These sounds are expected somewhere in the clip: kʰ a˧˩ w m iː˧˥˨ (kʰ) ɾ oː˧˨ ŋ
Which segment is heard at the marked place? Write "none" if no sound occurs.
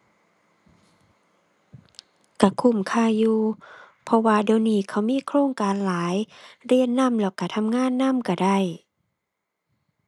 kʰ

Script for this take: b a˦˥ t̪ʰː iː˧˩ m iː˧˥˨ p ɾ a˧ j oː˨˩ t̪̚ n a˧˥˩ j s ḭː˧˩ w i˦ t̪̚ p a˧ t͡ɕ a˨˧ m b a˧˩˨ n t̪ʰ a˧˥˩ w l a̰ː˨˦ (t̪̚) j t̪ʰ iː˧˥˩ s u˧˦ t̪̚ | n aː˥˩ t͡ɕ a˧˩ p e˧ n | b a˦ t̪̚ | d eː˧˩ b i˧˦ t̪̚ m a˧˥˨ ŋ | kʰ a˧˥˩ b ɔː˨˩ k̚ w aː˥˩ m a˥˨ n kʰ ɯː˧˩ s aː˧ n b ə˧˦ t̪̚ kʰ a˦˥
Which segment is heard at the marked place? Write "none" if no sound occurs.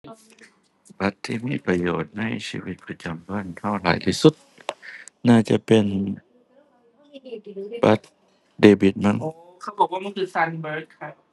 none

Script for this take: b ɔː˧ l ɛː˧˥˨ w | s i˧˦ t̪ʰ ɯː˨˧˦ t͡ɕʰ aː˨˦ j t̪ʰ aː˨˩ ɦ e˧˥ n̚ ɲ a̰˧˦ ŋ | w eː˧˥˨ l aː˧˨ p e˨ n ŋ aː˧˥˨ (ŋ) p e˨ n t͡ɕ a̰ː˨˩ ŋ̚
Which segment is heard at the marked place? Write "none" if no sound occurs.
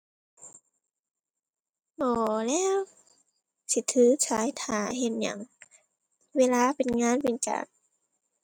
n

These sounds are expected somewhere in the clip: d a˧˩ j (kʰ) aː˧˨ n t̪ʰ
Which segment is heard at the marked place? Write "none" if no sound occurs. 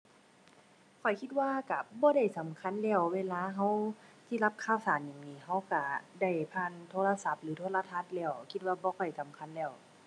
pʰ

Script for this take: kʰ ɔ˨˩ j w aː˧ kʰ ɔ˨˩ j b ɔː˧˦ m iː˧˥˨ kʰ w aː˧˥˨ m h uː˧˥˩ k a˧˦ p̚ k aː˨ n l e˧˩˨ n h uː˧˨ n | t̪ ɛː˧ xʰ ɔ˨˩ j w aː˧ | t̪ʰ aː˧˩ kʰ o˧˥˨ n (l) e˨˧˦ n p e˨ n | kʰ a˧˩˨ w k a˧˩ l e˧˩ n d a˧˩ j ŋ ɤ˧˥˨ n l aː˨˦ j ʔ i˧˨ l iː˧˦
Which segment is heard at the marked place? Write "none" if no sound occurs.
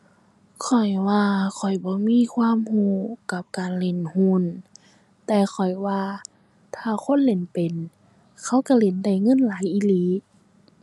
l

